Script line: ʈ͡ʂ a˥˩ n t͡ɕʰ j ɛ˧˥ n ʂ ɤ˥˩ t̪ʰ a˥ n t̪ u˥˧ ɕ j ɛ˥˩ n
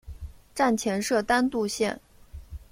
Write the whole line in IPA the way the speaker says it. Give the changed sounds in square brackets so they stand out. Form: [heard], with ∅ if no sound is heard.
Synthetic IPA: ʈ͡ʂ a˥˩ n t͡ɕʰ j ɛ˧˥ n ʂ ɤ˥˩ [t̪] a˥ n t̪ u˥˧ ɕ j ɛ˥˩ n